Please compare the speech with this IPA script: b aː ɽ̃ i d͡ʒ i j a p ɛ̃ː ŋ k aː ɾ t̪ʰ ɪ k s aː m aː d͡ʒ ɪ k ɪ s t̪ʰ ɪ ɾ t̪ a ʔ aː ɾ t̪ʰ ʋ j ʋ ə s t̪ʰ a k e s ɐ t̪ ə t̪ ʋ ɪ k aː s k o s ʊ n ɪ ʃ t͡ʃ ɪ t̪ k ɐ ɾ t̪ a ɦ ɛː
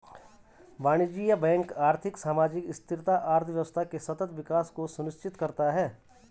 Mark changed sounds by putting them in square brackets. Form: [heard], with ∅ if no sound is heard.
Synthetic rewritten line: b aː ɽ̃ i d͡ʒ i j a [b] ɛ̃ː ŋ k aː ɾ t̪ʰ ɪ k s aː m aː d͡ʒ ɪ k ɪ s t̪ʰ ɪ ɾ t̪ a ʔ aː ɾ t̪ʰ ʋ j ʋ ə s t̪ʰ a k e s ɐ t̪ ə t̪ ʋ ɪ k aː s k o s ʊ n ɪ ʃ t͡ʃ ɪ t̪ k ɐ ɾ t̪ a ɦ ɛː